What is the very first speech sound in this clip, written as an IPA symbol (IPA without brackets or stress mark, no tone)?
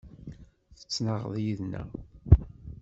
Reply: θ